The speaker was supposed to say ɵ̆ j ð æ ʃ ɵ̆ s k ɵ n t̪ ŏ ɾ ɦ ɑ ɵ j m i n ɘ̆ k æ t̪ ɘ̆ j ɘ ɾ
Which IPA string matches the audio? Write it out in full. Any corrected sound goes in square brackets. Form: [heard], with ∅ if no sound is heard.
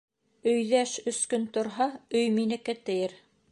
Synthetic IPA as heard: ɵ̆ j ð æ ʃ ɵ̆ s k ɵ n t̪ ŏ ɾ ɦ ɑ ɵ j m i n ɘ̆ k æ t̪ ɘ̆ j ɘ ɾ

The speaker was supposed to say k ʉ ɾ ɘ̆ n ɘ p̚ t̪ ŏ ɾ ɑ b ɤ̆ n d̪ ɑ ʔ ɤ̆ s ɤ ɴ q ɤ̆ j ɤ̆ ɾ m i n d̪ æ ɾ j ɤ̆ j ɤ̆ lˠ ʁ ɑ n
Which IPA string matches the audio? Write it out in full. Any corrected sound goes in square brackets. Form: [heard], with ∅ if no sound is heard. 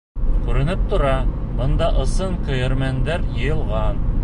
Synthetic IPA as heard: k ʉ ɾ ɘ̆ n ɘ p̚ t̪ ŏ ɾ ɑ b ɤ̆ n d̪ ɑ ʔ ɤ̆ s ɤ ɴ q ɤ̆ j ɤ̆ ɾ m [æ] n d̪ æ ɾ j ɤ̆ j ɤ̆ lˠ ʁ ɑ n

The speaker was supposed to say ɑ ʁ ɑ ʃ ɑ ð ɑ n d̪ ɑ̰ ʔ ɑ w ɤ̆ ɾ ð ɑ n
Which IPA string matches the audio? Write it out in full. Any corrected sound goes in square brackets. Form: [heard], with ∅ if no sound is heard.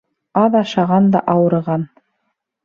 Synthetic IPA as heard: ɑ [ð] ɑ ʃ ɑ [ʁ] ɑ n d̪ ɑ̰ ʔ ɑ w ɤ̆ ɾ [ʁ] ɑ n

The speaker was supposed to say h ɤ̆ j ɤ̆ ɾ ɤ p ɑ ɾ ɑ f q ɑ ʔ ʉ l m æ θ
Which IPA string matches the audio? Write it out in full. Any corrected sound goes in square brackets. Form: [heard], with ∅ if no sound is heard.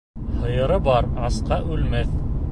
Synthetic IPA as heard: h ɤ̆ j ɤ̆ ɾ ɤ [b] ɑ ɾ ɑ [s] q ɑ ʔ ʉ l m æ θ

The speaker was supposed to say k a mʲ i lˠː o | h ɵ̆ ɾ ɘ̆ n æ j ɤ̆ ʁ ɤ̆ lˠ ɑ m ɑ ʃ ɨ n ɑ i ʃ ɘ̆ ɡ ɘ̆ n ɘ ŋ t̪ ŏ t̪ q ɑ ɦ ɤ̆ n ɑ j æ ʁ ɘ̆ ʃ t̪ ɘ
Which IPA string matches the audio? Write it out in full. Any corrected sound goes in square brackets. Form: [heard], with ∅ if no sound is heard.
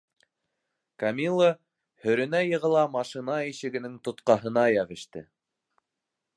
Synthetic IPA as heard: k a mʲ i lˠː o | h ɵ̆ ɾ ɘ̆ n æ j ɤ̆ ʁ ɤ̆ lˠ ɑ m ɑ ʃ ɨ n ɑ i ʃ ɘ̆ ɡ ɘ̆ n ɘ ŋ t̪ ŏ t̪ q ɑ ɦ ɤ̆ n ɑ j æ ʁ ɘ̆ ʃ t̪ ɘ

